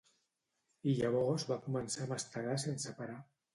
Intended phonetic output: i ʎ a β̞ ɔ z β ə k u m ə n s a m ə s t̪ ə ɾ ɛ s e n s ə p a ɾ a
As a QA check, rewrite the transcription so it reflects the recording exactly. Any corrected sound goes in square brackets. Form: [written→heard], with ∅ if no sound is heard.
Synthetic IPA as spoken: i ʎ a β̞ ɔ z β [ə→a] k u m ə n s a m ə s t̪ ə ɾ [ɛ→a] s e n s ə p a ɾ a